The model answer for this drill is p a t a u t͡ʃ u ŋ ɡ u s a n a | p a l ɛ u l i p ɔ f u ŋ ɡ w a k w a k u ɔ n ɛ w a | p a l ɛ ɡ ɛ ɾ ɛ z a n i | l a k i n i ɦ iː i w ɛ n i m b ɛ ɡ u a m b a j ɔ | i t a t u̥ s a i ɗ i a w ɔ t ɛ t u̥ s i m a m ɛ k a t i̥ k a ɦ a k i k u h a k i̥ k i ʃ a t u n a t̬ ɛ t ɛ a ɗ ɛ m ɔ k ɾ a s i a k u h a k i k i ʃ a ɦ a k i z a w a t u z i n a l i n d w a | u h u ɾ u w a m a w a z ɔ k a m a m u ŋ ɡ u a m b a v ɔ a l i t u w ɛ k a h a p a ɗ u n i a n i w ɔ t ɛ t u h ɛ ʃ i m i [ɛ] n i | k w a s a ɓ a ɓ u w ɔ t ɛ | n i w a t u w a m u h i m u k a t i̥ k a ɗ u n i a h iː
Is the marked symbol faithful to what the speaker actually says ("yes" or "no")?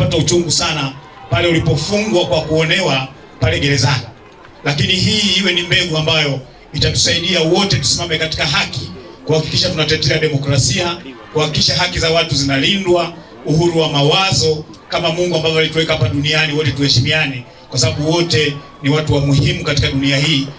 no